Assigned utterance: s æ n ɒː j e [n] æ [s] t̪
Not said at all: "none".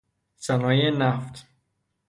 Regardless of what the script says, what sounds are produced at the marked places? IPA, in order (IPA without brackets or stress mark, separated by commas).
n, f